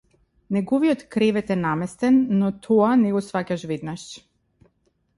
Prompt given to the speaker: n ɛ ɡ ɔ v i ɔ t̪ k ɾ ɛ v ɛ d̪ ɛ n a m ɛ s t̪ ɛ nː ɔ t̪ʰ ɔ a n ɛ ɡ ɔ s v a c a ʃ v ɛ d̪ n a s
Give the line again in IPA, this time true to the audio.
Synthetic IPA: n ɛ ɡ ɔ v i ɔ t̪ k ɾ ɛ v ɛ t̪ ɛ n a m ɛ s t̪ ɛ nː ɔ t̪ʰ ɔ a n ɛ ɡ ɔ s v a c a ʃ v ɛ d̪ n a ʃ